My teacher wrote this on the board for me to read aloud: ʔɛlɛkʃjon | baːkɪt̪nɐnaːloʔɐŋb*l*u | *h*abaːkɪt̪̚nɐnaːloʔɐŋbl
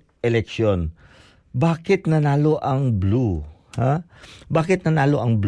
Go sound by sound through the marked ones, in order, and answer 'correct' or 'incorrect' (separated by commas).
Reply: correct, correct